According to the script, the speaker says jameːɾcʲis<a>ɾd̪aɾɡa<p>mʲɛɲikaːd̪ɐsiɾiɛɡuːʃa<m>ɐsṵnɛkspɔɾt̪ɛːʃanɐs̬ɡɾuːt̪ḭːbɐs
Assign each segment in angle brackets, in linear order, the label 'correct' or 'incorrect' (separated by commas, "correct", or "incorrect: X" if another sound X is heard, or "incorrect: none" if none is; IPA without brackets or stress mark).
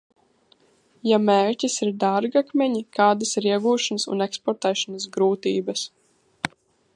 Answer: incorrect: i, incorrect: k, incorrect: n